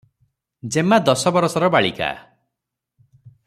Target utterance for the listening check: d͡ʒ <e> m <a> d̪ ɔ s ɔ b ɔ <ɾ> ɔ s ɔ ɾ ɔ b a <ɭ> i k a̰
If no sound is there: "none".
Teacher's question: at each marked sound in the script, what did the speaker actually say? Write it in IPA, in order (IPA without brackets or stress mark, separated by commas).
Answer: e, a, ɾ, ɭ